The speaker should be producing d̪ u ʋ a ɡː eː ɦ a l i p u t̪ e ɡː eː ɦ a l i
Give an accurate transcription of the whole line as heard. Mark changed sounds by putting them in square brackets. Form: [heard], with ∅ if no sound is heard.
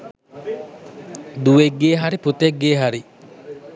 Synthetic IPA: d̪ u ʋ [e] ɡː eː ɦ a [ɾ] i p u t̪ e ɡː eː ɦ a [ɾ] i